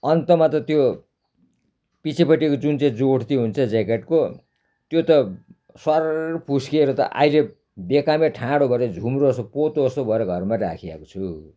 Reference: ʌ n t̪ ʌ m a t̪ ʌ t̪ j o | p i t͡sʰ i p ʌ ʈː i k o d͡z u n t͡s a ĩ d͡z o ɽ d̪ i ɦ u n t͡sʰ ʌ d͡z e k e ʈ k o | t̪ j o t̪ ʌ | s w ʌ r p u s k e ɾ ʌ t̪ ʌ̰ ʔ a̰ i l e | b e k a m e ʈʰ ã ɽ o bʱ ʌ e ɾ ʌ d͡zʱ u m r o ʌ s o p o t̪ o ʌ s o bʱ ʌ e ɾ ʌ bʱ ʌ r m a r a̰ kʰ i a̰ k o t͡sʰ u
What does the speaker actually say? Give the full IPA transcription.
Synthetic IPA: ʌ n t̪ ʌ m a t̪ ʌ t̪ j o | p i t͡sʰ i p ʌ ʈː i k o d͡z u n t͡s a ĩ d͡z o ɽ t̪ i ɦ u n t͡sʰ ʌ d͡z e k e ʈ k o | t̪ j o t̪ ʌ | s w ʌ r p u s k e ɾ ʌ t̪ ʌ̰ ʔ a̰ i l e | b e k a m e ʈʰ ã ɽ o bʱ ʌ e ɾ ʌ d͡zʱ u m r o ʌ s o p o t̪ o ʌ s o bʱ ʌ e ɾ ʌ ɡʱ ʌ r m a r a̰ kʰ i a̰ k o t͡sʰ u

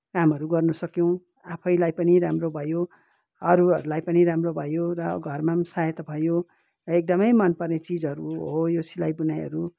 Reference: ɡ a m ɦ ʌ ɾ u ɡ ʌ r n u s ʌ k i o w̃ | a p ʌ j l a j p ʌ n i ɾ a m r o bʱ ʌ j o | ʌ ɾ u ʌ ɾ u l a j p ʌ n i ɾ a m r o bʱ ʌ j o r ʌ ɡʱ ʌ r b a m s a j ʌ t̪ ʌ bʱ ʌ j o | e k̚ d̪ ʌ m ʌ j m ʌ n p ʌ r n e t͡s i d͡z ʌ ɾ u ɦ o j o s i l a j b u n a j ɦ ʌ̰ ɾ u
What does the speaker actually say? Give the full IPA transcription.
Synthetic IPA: k a m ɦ ʌ ɾ u ɡ ʌ r n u s ʌ k j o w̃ | a pʰ ʌ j l a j p ʌ n i ɾ a m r o bʱ ʌ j o | ʌ ɾ u ʌ ɾ u l a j p ʌ n i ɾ a m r o bʱ ʌ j o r ʌ ɡʱ ʌ r m a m s a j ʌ t̪ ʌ bʱ ʌ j o | e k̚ d̪ ʌ m ʌ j m ʌ n p ʌ r n e t͡s i d͡z ʌ ɾ u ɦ o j o s i l a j b u n a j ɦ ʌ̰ ɾ u

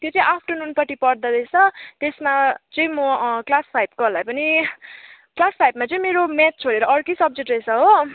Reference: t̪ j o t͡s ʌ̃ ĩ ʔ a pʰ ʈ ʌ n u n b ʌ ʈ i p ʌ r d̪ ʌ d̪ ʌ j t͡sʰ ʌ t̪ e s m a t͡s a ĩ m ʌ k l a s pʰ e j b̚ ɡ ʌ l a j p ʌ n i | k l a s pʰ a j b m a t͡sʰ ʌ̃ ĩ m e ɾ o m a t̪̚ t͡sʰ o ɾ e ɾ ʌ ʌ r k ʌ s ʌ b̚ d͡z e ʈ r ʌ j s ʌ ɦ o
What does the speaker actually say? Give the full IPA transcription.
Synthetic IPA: t̪ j o t͡s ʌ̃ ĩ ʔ a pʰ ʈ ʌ n u n p ʌ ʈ i p ʌ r d̪ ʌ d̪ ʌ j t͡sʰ ʌ t̪ e s m a t͡s ʌ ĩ m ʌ k l a s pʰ a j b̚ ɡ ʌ l a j p ʌ n i | k l a s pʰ a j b m a t͡s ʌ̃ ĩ m e ɾ o m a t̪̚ t͡sʰ o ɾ e ɾ ʌ ʌ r k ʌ s ʌ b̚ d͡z e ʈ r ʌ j s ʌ ɦ o

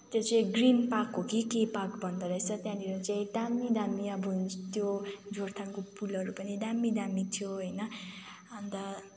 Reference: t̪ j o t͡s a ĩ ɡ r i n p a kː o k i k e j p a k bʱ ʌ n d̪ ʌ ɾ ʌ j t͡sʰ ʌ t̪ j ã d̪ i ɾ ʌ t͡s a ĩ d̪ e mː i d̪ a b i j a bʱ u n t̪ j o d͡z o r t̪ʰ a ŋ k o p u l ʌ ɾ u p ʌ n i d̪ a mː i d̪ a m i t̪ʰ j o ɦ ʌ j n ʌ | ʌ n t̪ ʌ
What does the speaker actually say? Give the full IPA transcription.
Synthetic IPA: t̪ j o t͡s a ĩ ɡ r i n p a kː o k i k e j p a k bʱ ʌ n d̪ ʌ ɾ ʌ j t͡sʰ ʌ t̪ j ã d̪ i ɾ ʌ t͡s a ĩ d̪ a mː i d̪ a m i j a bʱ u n t̪ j o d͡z o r t̪ʰ a ŋ k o p u l ʌ ɾ u p ʌ n i d̪ a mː i d̪ a m i t̪ʰ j o ɦ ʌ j n ʌ | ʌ n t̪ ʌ

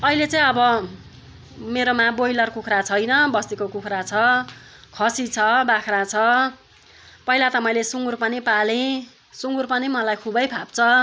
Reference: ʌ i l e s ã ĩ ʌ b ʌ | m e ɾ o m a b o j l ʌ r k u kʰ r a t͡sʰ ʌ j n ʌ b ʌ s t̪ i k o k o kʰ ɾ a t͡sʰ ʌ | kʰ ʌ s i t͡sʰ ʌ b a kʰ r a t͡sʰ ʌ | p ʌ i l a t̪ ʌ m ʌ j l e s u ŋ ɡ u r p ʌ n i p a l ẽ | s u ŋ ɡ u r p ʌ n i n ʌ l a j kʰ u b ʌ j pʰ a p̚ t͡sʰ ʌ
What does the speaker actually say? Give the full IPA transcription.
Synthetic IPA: ʌ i l e t͡s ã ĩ ʌ b ʌ | m e ɾ o m a b o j l ʌ r k u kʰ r a t͡sʰ ʌ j n ʌ b ʌ s t̪ i k o k u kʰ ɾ a t͡sʰ ʌ | kʰ ʌ s i t͡sʰ ʌ b a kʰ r a t͡sʰ ʌ | p ʌ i l a t̪ ʌ m ʌ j l e s u ŋ ɡ u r p ʌ n i p a l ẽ | s u ŋ ɡ u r p ʌ n i m ʌ l a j kʰ u b ʌ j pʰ a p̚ t͡sʰ ʌ

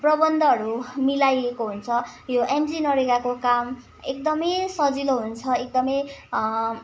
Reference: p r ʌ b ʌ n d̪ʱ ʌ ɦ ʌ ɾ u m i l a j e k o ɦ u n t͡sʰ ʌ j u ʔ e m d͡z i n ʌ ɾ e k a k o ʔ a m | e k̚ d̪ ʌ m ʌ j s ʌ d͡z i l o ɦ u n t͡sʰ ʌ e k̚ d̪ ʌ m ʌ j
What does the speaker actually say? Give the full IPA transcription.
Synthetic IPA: p r ʌ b ʌ n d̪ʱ ʌ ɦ ʌ ɾ u m i l a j e k o ɦ u n t͡sʰ ʌ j o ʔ e m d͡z i n ʌ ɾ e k a k o k a m | e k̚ d̪ ʌ m ʌ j s ʌ d͡z i l o ɦ u n t͡sʰ ʌ e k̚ d̪ ʌ m ʌ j

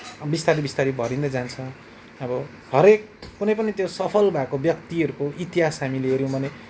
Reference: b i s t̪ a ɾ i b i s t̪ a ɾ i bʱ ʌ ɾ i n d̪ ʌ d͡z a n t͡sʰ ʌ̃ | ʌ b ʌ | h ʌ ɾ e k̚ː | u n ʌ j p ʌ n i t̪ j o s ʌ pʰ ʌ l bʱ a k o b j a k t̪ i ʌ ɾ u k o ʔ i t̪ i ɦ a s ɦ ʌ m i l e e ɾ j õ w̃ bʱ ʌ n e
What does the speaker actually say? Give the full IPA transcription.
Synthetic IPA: b i s t̪ a ɾ i b i s t̪ a ɾ i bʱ ʌ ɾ i n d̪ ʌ d͡z a n t͡sʰ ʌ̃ | ʌ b ʌ | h ʌ ɾ e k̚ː | u n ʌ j p ʌ n i t̪ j o s ʌ pʰ ʌ l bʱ a k o b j ʌ k t̪ i ʌ ɾ u k o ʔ i t̪ i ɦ a s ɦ a m i l e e ɾ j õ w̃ bʱ ʌ n e

